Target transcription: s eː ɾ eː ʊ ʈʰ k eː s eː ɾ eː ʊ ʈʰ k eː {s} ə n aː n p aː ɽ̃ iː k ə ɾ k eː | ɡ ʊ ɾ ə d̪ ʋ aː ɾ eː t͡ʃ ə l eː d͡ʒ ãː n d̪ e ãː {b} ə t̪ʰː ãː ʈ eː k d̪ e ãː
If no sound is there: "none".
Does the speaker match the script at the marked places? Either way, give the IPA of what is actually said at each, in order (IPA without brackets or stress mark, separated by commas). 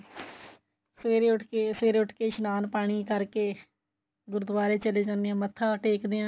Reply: ʃ, m